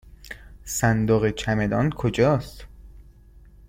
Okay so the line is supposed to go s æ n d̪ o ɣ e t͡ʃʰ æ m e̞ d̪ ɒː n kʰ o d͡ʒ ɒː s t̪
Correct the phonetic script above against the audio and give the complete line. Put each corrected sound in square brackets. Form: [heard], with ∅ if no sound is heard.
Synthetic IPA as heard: s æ n d̪ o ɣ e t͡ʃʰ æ m e̞ d̪ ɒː n kʰ o d͡ʒ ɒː s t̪